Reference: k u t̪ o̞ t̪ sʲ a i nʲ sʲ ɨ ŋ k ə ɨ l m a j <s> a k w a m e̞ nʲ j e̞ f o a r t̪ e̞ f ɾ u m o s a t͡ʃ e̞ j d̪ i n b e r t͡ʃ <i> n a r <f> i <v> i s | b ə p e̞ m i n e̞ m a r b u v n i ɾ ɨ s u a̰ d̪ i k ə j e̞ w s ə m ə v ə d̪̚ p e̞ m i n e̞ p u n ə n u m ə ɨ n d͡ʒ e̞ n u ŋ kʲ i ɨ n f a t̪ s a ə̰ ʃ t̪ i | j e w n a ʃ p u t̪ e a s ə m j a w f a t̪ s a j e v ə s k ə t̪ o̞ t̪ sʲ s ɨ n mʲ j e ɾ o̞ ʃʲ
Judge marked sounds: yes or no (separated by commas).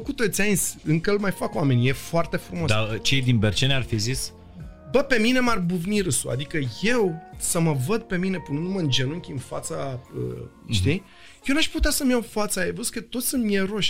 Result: no, no, yes, no